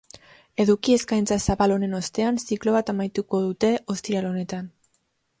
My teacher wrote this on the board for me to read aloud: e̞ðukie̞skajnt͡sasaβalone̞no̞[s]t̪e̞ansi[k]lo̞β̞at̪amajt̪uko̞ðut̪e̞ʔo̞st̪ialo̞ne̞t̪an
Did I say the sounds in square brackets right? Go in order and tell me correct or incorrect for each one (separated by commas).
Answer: correct, correct